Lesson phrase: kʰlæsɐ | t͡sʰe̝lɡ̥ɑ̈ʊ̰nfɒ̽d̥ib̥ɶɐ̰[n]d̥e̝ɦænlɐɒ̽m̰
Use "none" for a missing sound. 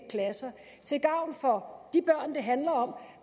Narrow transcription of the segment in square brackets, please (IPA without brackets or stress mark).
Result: n